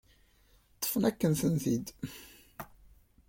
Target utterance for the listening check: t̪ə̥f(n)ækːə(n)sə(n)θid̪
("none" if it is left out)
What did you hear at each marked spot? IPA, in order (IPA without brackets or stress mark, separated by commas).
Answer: n, n, n